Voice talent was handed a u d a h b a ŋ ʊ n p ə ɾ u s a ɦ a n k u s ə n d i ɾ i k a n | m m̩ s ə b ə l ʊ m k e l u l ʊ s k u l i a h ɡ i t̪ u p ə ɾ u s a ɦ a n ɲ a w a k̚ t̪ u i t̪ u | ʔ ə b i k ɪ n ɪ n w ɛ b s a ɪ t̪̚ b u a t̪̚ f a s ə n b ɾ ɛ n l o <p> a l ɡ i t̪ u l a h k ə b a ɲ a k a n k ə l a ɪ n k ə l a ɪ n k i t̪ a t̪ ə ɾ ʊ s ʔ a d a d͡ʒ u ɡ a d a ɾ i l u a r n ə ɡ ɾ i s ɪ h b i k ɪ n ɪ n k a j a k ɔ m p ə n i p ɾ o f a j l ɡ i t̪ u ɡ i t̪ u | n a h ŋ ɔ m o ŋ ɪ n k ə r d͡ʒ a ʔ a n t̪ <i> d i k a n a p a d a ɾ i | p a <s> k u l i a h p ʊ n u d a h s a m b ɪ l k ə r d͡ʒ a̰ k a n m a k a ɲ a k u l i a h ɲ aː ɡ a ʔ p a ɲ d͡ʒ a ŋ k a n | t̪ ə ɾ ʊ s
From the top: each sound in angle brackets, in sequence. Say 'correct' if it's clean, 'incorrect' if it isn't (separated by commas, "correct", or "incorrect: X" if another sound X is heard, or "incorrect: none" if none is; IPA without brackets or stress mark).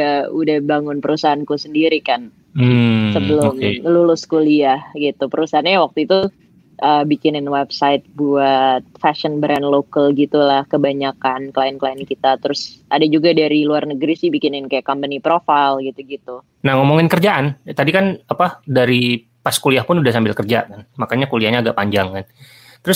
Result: incorrect: k, incorrect: a, correct